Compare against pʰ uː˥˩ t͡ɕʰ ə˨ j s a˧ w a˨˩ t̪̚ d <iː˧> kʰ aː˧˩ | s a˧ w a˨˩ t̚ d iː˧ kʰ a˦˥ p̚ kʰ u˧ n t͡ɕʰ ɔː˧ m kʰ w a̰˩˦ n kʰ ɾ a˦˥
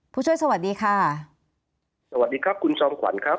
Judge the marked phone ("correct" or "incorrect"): correct